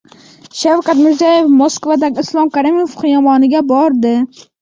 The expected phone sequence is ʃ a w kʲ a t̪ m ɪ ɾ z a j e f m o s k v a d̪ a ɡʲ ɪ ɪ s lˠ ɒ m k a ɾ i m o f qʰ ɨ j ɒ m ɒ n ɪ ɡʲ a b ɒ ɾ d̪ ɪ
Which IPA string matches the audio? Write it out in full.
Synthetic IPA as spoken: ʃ a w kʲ a t̪ m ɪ ɾ z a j e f m o s k v a d̪ a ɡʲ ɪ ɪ s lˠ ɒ m k a ɾ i m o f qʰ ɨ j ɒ m ɒ n ɪ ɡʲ a b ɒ ɾ d̪ ɪ